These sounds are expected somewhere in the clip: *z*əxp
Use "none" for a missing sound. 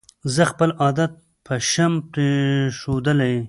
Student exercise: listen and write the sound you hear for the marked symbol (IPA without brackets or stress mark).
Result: z